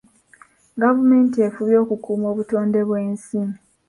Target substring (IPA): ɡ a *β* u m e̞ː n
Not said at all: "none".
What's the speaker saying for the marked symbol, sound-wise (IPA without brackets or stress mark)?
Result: v